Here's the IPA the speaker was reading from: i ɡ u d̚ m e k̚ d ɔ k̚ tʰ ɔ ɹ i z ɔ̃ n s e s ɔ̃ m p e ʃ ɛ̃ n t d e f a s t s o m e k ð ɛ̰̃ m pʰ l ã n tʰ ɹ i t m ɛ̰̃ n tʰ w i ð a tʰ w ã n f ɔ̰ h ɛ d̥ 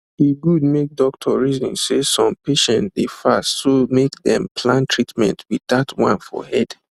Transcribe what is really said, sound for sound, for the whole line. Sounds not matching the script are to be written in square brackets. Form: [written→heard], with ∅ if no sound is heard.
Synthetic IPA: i ɡ u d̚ m e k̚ d ɔ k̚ tʰ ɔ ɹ i z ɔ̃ n s e s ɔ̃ m p e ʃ ɛ̃ n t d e f a s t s o m e k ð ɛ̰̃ m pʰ l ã n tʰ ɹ i t m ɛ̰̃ n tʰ w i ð a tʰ w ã n f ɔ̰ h ɛ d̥